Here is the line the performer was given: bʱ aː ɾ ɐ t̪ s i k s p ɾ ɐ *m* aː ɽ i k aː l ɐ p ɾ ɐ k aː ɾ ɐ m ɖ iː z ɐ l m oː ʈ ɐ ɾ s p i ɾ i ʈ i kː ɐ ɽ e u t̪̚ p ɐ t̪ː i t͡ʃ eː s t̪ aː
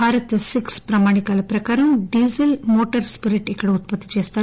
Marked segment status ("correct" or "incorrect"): correct